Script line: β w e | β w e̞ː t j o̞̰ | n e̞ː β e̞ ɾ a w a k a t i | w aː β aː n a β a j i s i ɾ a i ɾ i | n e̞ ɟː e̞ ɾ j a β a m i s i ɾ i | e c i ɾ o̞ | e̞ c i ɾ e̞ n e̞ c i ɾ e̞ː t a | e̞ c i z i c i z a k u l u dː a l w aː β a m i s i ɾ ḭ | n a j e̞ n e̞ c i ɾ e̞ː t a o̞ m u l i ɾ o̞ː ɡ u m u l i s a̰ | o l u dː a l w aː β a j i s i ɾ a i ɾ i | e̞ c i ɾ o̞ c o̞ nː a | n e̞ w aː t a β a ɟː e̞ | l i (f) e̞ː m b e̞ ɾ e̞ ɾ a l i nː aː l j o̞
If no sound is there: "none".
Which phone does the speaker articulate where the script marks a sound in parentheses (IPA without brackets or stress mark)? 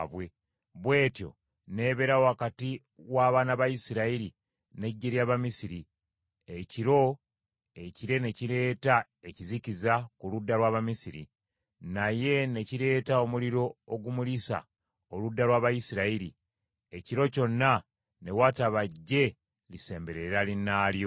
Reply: s